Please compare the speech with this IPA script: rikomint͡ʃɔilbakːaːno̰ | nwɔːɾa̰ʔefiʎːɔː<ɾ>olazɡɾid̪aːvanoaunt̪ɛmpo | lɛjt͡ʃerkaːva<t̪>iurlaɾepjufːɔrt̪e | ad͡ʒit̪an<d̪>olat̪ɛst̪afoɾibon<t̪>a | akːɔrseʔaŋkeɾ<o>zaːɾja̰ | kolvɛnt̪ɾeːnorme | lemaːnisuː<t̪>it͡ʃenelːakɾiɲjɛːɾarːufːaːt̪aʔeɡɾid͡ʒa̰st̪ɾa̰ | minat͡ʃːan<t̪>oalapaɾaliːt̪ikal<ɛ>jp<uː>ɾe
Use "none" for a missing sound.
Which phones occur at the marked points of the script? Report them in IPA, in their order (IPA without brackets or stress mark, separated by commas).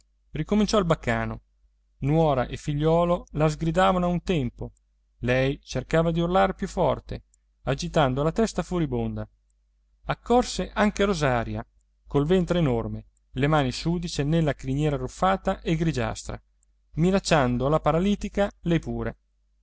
l, d̪, d̪, d̪, o, d̪, d̪, ɛ, uː